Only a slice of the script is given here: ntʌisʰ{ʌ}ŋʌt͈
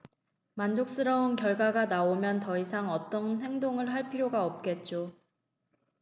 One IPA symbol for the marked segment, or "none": a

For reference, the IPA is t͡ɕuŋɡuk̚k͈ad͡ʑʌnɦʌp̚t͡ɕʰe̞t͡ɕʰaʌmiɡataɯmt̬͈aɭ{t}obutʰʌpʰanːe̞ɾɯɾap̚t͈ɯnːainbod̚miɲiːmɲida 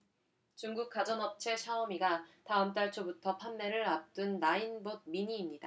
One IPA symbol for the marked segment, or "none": t͡ɕʰ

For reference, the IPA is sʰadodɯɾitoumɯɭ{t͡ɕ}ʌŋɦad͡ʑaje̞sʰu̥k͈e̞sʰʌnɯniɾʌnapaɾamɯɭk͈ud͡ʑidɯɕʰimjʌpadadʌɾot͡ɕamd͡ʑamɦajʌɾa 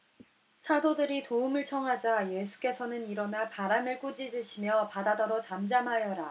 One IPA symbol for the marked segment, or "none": t͡ɕʰ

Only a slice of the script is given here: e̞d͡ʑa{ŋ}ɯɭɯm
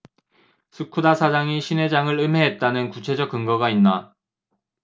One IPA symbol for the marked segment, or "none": ŋ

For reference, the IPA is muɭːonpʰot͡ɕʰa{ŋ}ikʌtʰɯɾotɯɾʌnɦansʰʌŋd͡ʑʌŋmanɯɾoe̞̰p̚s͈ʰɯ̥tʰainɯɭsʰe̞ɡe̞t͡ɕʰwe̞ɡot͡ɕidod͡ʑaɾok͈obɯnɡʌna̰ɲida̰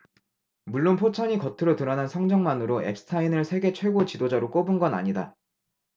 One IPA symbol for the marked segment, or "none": ɲ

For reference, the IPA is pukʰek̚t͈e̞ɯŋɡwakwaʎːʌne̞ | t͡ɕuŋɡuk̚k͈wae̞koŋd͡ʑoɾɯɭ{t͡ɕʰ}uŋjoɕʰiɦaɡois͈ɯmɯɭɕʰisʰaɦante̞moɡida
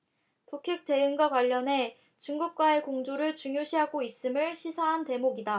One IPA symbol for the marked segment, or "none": t͡ɕ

